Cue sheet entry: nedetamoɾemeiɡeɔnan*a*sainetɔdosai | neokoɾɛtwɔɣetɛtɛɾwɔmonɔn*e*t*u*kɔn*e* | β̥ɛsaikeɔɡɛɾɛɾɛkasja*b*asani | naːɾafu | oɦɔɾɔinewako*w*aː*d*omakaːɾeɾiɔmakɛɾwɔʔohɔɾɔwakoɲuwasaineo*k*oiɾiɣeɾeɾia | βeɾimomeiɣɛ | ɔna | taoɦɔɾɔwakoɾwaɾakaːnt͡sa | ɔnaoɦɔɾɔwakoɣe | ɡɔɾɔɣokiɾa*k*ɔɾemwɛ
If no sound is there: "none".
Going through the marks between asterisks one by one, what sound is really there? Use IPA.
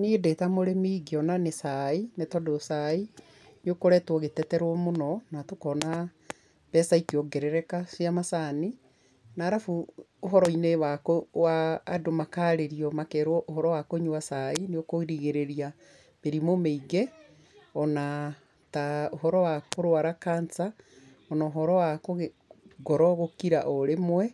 e, a, o, a, m, w, d, k, ʔ

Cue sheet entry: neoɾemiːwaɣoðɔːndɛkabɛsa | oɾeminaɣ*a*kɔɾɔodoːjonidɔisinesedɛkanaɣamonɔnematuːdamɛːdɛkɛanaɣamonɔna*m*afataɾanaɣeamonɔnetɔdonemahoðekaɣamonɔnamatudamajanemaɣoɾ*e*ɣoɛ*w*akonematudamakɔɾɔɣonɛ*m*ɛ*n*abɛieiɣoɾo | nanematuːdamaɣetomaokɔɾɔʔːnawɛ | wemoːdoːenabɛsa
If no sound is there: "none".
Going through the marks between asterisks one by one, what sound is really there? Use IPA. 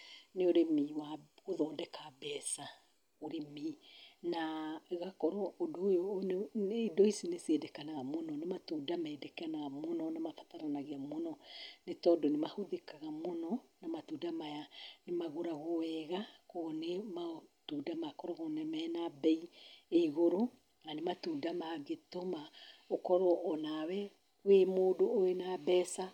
a, m, a, ɣ, m, n

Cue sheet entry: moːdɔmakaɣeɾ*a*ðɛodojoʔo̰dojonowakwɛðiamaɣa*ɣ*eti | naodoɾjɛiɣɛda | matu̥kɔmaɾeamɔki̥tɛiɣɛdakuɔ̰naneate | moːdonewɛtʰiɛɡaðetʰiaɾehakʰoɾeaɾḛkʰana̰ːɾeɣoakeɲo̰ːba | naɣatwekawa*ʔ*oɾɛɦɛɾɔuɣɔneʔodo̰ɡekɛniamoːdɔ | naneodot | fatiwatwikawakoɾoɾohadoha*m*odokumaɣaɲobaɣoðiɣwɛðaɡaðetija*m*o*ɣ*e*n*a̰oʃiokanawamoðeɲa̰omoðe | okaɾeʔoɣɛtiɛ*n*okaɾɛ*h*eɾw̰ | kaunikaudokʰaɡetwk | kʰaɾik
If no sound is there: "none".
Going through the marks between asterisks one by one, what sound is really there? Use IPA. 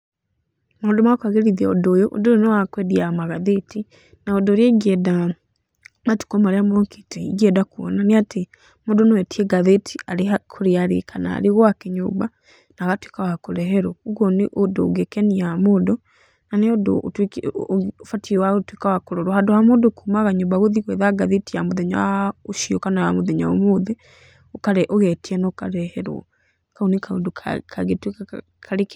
i, ð, k, m, m, ð, ɲ, n, h

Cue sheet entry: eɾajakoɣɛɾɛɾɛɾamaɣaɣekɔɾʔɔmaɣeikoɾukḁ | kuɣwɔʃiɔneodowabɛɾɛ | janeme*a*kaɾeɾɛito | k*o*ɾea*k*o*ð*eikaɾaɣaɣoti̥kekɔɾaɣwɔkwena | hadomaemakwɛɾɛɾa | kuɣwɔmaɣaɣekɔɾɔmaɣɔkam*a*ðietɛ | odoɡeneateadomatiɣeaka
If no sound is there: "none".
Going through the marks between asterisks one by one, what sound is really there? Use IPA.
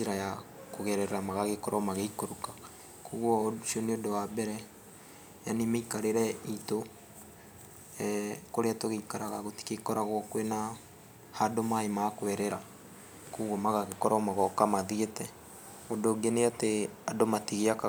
i, o, t, ɣ, a

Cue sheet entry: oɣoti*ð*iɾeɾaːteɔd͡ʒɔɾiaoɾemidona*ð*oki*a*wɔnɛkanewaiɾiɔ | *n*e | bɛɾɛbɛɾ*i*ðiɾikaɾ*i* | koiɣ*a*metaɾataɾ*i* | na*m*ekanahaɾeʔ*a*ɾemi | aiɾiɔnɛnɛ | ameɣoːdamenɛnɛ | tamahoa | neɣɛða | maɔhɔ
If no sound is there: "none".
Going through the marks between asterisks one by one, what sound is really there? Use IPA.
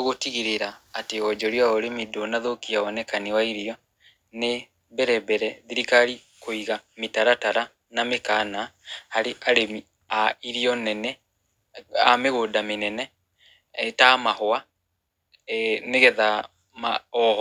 ɣ, ð, a, n, ɛ, i, a, a, m, a

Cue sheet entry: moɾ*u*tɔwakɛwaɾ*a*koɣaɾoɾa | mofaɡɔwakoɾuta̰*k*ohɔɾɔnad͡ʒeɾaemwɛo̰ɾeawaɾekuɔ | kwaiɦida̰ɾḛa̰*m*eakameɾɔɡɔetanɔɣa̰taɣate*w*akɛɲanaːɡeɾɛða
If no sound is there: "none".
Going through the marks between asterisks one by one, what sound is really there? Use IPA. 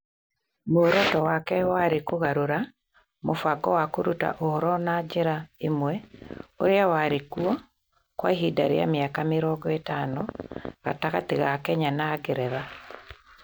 ɔ, e, ʔ, m, ɣ

